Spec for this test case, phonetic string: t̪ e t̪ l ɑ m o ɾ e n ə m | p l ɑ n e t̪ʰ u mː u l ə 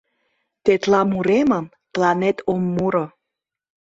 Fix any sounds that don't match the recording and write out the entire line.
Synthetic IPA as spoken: t̪ e t̪ l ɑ m u ɾ e m ə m | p l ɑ n e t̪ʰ o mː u ɾ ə